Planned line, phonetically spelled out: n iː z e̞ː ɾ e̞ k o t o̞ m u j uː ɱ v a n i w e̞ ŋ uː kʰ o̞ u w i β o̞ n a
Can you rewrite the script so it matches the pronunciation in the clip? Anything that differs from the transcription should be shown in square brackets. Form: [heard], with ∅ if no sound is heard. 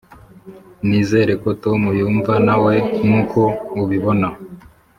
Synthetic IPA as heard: n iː z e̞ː ɾ e̞ k o t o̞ m u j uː ɱ v a n [a] w e̞ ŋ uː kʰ o̞ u [β] i β o̞ n a